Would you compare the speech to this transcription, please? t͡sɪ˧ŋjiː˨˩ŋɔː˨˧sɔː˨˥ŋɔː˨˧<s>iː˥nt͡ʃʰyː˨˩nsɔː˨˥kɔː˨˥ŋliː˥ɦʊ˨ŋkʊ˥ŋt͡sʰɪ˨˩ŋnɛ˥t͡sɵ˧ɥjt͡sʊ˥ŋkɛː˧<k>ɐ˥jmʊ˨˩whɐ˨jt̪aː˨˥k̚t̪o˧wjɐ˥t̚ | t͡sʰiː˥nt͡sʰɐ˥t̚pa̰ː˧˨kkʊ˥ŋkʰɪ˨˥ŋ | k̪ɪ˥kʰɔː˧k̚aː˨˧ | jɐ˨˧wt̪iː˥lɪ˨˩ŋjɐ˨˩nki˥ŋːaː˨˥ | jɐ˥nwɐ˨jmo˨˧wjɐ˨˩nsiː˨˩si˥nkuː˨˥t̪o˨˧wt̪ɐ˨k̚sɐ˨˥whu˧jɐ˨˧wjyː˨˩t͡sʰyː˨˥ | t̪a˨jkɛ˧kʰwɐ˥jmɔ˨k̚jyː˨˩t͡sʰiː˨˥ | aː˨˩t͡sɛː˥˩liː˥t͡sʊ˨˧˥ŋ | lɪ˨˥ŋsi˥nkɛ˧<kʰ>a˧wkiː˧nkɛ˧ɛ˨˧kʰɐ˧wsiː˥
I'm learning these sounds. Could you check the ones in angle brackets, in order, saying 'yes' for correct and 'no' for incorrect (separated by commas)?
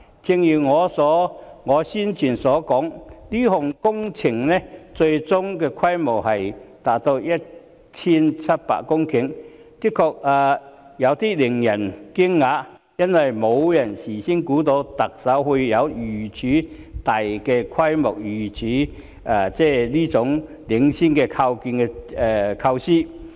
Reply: yes, no, yes